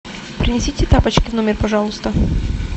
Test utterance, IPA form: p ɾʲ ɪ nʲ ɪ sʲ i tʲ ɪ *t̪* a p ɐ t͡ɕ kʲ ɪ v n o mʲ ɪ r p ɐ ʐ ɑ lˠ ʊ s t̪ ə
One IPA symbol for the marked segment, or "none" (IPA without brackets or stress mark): t̪